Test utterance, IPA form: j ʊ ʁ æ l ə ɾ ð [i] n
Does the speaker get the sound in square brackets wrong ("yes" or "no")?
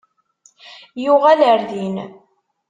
no